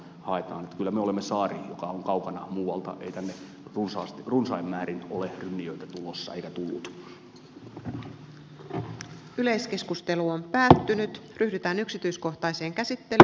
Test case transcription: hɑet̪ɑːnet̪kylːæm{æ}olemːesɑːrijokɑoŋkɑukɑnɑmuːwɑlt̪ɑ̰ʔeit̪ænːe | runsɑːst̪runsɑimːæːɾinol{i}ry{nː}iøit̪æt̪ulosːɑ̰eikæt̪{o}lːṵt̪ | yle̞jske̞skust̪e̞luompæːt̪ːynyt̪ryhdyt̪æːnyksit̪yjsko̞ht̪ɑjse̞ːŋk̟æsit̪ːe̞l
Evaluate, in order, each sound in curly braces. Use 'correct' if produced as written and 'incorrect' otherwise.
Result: incorrect, incorrect, correct, incorrect

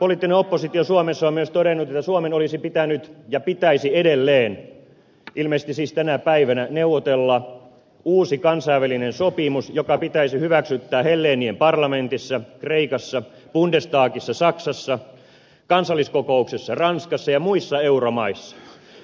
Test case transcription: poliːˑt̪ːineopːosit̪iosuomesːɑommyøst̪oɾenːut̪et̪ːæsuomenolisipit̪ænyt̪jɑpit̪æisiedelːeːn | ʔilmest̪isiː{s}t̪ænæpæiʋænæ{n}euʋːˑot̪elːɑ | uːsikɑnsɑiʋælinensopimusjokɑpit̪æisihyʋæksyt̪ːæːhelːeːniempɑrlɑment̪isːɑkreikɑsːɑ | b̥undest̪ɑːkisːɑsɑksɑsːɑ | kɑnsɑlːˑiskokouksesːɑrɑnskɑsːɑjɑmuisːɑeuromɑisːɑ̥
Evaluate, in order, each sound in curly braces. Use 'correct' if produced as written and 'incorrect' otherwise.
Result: correct, correct

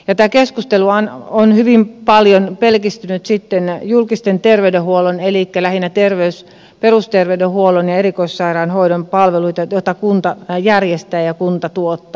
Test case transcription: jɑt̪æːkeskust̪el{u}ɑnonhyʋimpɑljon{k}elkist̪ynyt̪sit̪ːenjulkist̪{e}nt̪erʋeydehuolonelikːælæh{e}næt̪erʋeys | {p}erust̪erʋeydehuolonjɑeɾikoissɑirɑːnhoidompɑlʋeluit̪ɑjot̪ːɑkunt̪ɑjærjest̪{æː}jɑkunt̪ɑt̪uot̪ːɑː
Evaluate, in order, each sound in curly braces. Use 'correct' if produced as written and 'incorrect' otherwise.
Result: correct, incorrect, correct, incorrect, correct, correct

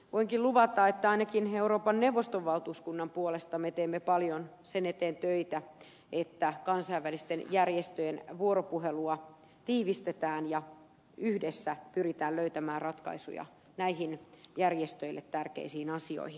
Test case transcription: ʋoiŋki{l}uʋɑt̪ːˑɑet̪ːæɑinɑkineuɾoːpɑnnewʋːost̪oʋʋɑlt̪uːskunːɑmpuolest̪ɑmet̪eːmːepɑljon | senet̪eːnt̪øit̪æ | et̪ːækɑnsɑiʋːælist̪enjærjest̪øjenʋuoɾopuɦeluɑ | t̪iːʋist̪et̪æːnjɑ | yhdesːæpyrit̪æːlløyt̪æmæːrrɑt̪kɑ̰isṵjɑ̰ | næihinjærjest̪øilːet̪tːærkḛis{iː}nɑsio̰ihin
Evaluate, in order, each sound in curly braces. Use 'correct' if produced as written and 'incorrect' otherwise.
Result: correct, correct

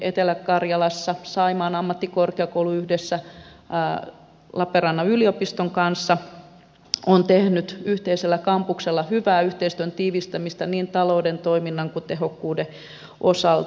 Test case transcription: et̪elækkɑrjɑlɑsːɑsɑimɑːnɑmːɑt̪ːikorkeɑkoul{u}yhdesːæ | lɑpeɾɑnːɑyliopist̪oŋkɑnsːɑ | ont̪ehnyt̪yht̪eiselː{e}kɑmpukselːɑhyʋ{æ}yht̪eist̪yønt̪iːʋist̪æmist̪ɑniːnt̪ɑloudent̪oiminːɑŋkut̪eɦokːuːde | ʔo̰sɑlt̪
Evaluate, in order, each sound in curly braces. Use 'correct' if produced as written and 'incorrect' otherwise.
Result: correct, incorrect, incorrect

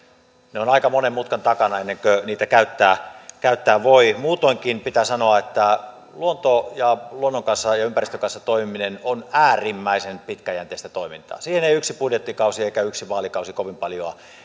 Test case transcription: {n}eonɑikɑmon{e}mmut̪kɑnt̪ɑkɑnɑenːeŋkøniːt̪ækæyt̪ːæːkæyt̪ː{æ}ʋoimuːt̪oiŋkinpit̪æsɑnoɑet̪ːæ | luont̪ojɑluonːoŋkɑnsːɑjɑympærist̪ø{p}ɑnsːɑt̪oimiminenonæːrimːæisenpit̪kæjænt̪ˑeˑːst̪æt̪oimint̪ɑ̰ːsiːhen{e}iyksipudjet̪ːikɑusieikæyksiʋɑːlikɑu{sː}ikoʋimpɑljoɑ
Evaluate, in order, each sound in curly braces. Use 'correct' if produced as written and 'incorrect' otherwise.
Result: correct, correct, incorrect, incorrect, correct, incorrect

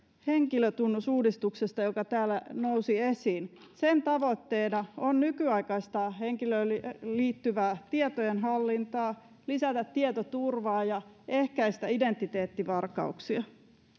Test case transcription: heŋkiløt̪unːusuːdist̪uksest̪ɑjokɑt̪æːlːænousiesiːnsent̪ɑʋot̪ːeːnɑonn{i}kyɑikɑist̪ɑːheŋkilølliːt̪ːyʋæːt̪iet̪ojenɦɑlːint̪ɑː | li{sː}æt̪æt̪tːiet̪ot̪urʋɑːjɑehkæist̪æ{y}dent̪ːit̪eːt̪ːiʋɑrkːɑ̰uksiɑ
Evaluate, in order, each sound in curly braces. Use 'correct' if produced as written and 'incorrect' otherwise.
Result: incorrect, incorrect, incorrect

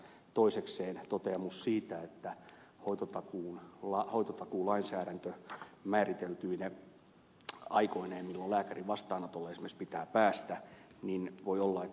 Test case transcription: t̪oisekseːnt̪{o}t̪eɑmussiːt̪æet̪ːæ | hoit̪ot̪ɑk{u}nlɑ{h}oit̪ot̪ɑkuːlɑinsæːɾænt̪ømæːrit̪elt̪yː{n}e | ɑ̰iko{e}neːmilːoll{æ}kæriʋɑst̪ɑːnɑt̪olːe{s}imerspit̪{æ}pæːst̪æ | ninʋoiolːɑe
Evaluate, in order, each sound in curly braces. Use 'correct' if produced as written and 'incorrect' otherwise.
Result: correct, incorrect, correct, correct, incorrect, incorrect, correct, incorrect

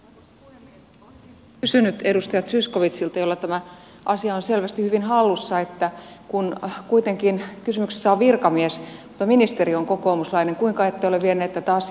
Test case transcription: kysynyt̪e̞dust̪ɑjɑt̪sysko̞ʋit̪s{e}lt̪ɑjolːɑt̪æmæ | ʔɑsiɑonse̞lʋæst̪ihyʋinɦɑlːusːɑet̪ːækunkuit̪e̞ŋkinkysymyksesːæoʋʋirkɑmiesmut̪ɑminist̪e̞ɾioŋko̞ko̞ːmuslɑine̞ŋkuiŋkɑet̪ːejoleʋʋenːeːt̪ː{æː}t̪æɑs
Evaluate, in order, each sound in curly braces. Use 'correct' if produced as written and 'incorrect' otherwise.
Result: incorrect, incorrect

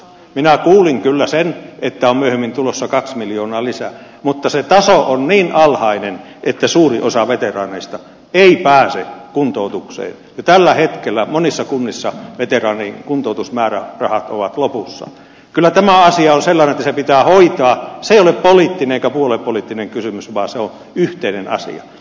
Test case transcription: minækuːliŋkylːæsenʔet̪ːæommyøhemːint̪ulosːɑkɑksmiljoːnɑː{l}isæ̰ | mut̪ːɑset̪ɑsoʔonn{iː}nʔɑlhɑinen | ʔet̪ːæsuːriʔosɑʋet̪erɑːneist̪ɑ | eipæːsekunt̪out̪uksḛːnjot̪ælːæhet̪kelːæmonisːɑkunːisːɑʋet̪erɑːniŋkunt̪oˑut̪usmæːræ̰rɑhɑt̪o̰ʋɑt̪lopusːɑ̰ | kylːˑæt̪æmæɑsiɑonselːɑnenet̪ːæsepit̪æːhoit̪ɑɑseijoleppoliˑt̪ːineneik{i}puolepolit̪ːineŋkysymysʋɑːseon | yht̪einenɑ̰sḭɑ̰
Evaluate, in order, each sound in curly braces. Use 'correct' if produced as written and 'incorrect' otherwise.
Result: correct, correct, incorrect

